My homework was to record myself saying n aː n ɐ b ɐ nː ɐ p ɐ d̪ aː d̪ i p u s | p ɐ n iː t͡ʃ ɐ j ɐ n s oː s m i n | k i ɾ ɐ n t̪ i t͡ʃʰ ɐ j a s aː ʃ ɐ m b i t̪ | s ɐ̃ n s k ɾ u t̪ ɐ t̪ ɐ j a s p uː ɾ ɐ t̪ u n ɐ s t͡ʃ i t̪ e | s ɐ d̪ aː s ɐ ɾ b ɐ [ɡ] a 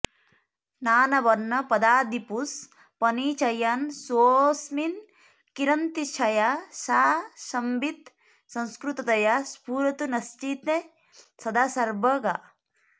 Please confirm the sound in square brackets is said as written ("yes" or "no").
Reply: yes